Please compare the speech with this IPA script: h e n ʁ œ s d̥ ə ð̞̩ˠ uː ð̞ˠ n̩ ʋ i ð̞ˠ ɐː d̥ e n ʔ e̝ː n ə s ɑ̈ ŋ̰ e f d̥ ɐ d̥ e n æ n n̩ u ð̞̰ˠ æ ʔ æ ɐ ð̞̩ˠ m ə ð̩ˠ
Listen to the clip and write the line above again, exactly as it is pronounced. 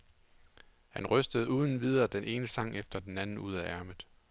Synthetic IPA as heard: h æ n ʁ œ s d̥ ə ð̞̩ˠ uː ð̞ˠ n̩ ʋ i ð̞ˠ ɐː d̥ e n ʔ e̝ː n ə s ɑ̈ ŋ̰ e f d̥ ɐ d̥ e n æ n n̩ u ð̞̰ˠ æ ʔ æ ɐ m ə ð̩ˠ